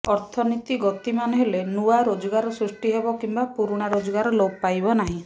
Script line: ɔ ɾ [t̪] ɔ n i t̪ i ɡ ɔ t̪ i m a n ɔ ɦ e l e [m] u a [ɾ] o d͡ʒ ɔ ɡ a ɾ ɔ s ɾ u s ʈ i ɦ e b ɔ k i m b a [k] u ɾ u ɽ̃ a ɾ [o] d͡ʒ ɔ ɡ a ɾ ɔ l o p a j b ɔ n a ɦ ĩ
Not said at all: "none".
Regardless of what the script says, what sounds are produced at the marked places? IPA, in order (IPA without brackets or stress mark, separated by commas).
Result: t̪ʰ, n, ɾ, p, o